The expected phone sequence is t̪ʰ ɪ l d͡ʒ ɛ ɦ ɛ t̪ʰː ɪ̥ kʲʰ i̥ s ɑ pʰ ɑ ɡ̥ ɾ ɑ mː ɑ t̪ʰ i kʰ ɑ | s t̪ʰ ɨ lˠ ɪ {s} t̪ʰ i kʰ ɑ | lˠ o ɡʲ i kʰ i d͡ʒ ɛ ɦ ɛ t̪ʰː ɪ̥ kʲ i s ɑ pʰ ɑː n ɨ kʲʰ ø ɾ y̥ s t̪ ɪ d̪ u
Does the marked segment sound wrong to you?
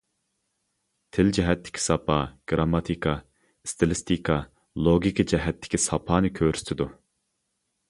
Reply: no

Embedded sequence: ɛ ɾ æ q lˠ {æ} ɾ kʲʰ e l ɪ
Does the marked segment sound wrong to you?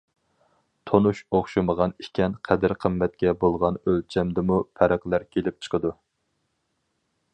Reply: no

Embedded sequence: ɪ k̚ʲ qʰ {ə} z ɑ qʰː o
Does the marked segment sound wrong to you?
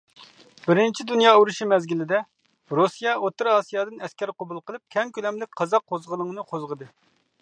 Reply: yes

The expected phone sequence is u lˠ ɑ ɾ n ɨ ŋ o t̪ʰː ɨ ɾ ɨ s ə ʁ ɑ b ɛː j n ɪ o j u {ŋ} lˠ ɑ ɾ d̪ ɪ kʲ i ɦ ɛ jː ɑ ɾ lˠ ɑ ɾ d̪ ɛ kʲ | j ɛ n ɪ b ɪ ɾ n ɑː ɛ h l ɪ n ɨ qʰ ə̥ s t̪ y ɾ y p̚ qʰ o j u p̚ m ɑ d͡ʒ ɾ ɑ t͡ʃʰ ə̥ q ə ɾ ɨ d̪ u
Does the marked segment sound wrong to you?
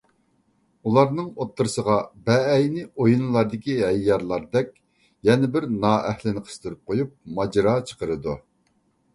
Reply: yes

